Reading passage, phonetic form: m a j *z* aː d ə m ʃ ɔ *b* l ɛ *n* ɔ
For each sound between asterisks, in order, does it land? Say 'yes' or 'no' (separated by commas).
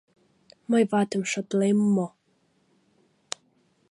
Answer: no, no, no